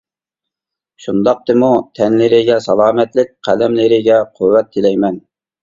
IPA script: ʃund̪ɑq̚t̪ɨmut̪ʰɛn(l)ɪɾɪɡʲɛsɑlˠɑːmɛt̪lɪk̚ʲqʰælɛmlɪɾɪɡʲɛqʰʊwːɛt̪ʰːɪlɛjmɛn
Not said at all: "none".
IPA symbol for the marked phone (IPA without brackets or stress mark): l